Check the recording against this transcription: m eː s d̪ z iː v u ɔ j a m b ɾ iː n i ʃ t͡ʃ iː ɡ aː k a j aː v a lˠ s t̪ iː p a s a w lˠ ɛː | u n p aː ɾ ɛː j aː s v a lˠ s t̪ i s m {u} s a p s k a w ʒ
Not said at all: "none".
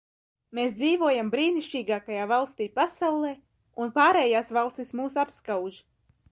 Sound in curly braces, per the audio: uː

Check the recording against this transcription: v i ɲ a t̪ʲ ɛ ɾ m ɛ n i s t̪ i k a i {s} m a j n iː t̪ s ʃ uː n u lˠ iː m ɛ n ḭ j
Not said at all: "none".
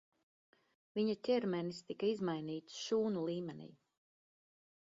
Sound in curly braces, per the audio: z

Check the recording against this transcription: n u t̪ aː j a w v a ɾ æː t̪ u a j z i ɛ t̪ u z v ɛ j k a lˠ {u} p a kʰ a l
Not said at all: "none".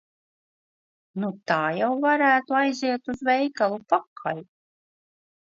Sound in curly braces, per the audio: u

